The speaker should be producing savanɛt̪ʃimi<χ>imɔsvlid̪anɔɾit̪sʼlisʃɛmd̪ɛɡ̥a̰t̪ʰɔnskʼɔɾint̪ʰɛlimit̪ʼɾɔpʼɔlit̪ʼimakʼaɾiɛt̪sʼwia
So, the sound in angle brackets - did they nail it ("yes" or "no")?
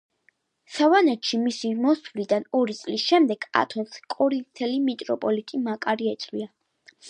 no